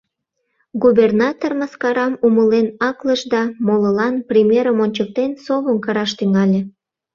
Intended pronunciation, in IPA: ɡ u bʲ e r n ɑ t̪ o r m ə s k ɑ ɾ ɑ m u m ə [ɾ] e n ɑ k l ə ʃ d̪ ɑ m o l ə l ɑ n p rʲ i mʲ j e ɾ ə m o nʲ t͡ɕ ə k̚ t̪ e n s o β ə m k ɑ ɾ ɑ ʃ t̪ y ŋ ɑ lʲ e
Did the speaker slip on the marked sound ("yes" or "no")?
yes